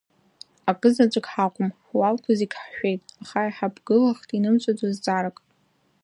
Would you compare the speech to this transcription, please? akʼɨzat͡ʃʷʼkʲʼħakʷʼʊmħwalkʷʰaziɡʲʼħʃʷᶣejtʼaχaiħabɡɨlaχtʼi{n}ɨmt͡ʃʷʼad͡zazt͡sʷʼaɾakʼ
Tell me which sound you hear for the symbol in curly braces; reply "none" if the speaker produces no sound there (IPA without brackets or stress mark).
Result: n